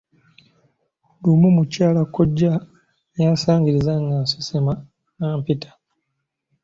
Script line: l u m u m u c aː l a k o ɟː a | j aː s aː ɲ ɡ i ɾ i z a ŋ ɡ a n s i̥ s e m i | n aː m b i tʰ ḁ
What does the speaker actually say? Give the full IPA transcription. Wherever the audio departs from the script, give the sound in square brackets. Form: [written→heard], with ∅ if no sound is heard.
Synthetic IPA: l u m u m u c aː l a k o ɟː a | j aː s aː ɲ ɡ i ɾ i z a ŋ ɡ a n s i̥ s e m [i→a] | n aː m [b→p] i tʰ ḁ